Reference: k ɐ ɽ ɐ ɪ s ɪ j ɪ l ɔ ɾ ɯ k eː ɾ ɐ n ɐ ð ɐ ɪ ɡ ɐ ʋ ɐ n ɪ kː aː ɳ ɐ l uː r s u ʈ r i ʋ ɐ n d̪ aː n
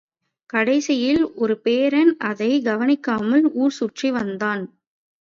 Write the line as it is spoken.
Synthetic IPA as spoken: k ɐ ɽ ɐ ɪ s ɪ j ɪ l ɔ ɾ ɯ p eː ɾ ɐ n ɐ ð ɐ ɪ ɡ ɐ ʋ ɐ n ɪ kː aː m ɐ l uː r s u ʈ r i ʋ ɐ n d̪ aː n

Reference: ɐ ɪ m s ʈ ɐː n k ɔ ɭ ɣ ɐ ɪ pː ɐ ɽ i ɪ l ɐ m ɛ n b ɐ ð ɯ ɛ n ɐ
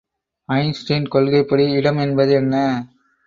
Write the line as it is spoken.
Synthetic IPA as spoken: ɐ ɪ n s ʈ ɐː n k ɔ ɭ ɣ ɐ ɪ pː ɐ ɽ i ɪ ɽ ɐ m ɛ n b ɐ ð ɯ ɛ nː ɐ

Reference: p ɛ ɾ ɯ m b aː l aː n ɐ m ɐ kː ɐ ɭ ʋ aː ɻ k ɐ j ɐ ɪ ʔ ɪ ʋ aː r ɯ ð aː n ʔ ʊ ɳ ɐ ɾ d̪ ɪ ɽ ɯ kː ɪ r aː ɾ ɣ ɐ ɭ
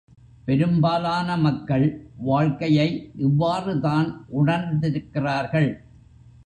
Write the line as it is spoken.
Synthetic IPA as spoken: p ɛ ɾ ɯ m b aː l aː n ɐ m ɐ kː ɐ ɭ ʋ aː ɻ k ɐ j ɐ ɪ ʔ ɪ ʋː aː r ɯ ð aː n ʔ ʊ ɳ ɐ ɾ d̪ ɪ ɾ ɯ kː ɪ r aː ɾ ɣ ɐ ɭ

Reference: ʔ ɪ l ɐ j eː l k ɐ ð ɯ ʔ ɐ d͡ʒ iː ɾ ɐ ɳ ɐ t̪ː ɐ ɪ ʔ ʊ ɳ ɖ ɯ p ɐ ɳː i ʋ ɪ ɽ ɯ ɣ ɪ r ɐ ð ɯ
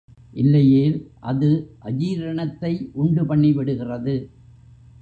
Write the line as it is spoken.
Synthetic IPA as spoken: ʔ ɪ lː ɐ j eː l ʔ ɐ ð ɯ ʔ ɐ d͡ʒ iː ɾ ɐ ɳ ɐ t̪ː ɐ ɪ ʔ ʊ ɳ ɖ ɯ p ɐ ɳː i ʋ ɪ ɽ ɯ ɣ ɪ r ɐ ð ɯ

